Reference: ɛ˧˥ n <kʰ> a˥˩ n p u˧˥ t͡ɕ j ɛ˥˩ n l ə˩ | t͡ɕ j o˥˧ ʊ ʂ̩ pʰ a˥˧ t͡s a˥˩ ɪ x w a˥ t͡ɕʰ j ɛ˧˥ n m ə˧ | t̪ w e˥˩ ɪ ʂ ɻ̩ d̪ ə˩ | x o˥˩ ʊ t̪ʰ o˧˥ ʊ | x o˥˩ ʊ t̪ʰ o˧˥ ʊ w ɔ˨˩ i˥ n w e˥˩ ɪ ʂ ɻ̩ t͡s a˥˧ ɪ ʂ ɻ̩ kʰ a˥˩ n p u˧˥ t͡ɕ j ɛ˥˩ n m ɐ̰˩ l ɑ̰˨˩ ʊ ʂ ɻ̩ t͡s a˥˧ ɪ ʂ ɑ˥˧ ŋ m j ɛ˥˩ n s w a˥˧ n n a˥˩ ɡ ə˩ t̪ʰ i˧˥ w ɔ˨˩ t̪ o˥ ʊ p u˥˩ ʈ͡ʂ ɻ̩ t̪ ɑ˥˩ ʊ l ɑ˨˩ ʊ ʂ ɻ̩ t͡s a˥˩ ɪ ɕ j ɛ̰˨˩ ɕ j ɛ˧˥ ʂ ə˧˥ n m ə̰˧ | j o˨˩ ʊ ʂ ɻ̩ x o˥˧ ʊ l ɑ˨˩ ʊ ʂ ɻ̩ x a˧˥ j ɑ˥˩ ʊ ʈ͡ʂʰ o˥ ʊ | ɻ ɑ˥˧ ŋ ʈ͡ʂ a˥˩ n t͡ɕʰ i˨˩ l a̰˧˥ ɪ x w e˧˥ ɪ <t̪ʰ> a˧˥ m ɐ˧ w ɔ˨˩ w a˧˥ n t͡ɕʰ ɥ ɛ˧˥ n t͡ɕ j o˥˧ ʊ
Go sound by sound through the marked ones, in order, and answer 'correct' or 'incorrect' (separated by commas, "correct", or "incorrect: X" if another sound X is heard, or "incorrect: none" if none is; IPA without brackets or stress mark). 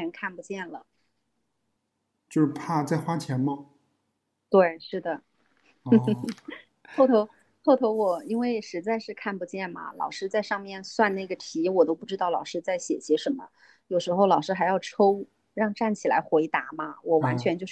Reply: correct, incorrect: t̪